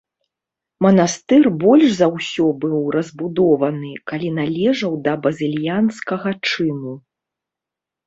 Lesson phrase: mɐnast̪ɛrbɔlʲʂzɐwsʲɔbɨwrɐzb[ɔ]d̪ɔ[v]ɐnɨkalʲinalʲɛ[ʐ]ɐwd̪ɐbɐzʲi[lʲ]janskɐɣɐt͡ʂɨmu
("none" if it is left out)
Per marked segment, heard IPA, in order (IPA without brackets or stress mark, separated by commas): u, v, ʐ, lʲ